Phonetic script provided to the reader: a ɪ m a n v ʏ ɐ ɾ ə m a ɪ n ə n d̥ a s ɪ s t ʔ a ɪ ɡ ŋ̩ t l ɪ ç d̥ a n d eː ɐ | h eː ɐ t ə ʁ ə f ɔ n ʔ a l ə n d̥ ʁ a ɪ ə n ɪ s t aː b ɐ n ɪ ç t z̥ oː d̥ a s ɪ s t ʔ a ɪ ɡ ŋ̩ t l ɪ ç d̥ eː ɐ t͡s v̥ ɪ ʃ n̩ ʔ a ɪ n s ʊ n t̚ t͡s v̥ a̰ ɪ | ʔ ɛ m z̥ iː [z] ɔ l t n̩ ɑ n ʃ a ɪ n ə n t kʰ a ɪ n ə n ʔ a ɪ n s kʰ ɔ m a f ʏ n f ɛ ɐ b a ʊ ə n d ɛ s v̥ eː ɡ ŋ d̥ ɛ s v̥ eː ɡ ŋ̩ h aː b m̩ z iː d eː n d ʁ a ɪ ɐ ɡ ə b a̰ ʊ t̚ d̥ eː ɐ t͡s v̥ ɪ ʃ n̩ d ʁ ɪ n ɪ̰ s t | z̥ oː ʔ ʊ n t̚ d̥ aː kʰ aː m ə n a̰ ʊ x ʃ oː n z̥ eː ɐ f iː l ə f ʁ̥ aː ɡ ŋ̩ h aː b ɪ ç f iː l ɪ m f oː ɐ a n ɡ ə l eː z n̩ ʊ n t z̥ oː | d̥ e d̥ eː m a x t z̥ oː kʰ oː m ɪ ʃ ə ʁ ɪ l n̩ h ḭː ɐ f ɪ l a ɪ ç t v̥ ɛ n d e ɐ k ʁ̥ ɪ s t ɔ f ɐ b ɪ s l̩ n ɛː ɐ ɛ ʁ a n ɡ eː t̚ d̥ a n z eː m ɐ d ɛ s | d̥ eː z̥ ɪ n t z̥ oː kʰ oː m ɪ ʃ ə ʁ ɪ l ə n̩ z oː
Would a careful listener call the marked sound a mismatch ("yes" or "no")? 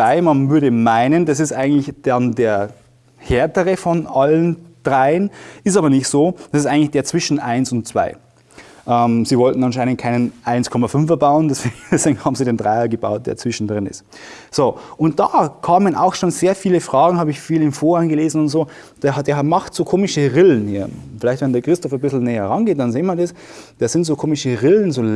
yes